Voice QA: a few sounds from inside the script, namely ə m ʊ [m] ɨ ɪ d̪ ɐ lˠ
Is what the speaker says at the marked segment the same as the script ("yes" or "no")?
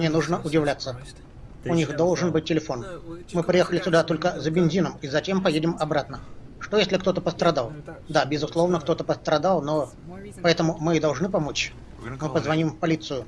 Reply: yes